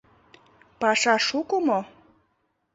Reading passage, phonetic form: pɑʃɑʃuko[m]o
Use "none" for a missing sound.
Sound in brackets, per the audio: m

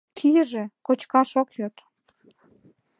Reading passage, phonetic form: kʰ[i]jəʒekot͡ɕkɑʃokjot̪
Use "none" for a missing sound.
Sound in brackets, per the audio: i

